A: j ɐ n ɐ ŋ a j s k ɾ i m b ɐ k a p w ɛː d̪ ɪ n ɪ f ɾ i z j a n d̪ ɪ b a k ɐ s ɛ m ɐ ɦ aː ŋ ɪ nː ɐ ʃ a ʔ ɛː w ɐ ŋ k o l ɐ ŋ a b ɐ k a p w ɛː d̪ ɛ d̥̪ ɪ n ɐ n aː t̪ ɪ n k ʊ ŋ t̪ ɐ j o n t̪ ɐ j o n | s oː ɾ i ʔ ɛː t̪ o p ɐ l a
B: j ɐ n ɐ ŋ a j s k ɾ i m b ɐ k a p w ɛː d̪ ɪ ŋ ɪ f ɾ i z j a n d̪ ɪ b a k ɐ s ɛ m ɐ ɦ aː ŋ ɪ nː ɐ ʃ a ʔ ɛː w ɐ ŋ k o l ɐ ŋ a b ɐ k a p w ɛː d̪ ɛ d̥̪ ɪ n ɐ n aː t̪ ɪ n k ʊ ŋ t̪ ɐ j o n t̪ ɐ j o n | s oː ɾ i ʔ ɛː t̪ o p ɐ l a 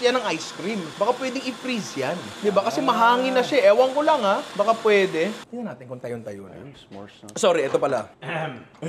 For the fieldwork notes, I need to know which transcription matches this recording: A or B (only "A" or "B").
B